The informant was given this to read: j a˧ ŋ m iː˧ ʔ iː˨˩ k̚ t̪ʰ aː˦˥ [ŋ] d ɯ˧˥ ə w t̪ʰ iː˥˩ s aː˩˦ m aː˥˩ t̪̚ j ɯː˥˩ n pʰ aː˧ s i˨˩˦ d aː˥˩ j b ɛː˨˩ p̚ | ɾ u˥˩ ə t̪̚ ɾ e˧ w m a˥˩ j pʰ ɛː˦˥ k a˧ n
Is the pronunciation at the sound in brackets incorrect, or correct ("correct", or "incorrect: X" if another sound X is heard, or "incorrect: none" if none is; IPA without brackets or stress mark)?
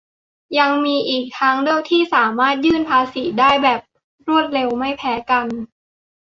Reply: correct